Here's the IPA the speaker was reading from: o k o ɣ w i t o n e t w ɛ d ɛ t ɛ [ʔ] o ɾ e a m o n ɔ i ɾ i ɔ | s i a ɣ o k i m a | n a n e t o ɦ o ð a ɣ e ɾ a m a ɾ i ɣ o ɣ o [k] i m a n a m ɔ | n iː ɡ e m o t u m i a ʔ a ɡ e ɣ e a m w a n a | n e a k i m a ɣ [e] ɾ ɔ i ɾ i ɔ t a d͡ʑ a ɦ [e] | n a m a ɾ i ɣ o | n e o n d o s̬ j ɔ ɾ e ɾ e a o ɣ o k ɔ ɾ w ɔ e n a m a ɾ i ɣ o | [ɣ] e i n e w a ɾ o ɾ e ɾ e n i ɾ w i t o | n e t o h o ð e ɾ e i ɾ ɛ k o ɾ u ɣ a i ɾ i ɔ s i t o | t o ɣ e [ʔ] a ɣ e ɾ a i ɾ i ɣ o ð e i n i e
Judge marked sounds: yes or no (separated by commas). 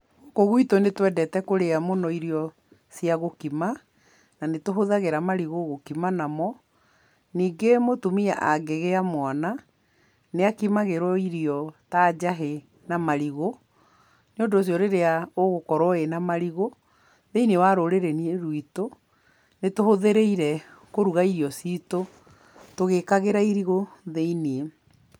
no, yes, yes, yes, no, no